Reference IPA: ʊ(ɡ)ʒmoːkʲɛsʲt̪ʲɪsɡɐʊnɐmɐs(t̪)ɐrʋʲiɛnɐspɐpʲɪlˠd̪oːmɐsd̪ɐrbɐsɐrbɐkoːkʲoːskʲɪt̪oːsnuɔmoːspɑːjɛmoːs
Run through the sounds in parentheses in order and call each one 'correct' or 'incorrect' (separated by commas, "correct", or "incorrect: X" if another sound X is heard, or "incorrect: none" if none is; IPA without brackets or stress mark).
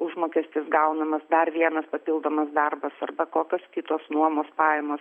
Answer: incorrect: none, incorrect: d̪